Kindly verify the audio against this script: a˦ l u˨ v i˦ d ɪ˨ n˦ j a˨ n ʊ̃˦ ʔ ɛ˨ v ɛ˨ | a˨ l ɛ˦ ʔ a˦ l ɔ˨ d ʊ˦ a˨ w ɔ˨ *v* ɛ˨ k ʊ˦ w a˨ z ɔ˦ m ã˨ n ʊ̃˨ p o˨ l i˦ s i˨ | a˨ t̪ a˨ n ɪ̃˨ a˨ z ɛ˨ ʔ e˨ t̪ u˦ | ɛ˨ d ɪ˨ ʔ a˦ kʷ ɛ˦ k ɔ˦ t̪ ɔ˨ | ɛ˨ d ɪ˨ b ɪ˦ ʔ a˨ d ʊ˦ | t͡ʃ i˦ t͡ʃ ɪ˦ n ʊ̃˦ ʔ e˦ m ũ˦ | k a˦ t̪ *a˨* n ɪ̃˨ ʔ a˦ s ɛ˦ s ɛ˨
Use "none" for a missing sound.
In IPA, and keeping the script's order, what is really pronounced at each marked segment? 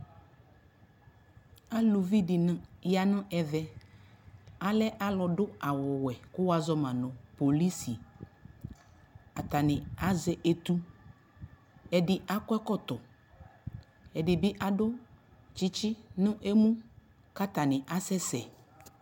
w, a˨

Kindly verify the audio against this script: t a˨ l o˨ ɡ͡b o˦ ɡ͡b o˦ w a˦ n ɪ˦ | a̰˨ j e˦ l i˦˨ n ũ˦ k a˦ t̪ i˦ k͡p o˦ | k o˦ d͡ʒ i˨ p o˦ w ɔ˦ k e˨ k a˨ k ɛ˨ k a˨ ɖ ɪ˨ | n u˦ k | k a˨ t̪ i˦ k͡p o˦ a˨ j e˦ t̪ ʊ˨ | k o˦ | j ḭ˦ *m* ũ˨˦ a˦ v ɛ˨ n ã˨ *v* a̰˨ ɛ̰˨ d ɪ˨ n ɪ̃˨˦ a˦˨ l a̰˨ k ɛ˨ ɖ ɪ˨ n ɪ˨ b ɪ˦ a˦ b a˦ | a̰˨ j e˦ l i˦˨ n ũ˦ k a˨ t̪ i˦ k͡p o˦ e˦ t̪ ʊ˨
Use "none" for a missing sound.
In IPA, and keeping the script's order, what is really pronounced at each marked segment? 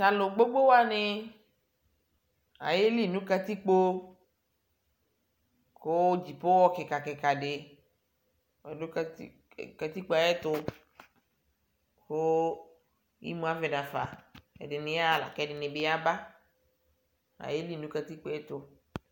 m, f

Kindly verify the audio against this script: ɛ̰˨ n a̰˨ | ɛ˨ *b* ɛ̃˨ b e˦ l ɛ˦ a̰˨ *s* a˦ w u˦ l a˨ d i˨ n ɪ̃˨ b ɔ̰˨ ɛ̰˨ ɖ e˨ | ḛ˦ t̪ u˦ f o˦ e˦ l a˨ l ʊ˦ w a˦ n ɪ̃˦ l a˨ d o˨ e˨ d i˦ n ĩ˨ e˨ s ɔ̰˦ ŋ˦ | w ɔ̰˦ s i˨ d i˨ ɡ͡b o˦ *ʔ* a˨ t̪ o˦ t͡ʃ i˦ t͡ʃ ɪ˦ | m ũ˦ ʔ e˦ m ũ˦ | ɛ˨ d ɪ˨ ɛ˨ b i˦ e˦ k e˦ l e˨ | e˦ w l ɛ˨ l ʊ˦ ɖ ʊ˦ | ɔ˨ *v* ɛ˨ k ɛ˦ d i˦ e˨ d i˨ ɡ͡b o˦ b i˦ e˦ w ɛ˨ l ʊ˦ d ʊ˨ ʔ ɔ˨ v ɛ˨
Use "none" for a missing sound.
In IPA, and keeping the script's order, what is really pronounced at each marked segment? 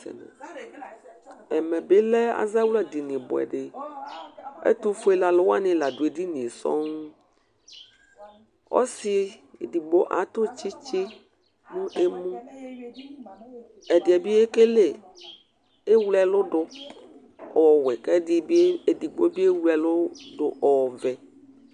m, z, ʔ, w

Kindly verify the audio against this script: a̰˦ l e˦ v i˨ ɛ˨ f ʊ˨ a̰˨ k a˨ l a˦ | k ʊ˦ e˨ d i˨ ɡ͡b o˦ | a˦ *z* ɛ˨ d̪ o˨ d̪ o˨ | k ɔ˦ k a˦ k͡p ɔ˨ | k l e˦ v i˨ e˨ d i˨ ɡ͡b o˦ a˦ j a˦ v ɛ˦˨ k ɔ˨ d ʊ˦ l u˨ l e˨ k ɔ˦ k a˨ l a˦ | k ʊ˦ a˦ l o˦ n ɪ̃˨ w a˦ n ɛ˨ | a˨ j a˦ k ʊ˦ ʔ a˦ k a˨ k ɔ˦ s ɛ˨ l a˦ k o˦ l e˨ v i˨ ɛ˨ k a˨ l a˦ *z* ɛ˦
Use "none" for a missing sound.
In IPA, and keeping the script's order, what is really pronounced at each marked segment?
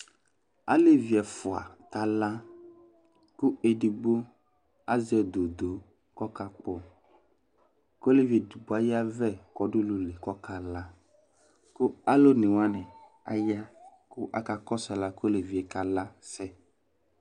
z, s

